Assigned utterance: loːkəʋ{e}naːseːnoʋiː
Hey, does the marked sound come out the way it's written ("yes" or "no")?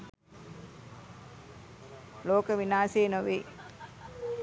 no